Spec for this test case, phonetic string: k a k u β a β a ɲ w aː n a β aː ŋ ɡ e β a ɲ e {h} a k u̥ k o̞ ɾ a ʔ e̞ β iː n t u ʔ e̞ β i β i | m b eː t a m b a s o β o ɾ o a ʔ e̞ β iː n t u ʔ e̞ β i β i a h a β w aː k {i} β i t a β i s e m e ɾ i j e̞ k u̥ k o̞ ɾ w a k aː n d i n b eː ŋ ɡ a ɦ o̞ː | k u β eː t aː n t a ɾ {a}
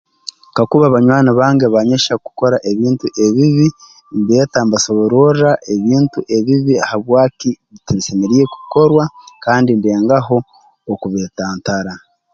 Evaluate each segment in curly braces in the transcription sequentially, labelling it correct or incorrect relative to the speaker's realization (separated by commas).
incorrect, correct, correct